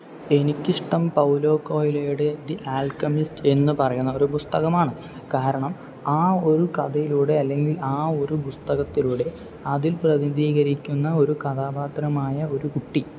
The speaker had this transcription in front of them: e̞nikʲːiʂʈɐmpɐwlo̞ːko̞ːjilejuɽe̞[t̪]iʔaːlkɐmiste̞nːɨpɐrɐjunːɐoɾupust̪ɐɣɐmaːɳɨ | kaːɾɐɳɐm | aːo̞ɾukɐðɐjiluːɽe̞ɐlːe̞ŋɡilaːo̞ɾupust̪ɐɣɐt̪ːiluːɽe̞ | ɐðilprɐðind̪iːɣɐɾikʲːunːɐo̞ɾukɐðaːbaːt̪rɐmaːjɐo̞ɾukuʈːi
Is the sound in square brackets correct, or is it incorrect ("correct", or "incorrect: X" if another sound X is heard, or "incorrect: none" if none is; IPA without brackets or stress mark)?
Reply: incorrect: d̪